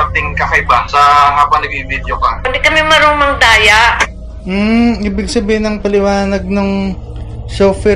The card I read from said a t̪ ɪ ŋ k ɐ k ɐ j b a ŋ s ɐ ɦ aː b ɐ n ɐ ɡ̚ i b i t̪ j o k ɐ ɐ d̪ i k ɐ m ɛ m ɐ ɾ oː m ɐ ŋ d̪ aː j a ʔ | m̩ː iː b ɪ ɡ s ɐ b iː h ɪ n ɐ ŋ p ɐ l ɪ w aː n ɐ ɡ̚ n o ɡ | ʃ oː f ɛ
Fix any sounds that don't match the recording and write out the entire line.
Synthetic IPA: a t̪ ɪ ŋ k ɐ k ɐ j b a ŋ s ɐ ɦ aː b ɐ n ɐ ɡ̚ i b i d̪ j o k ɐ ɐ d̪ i k ɐ m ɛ m ɐ ɾ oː m ɐ ŋ d̪ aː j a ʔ | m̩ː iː b ɪ ɡ s ɐ b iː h ɪ n ɐ ŋ p ɐ l ɪ w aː n ɐ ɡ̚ n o ŋ | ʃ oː f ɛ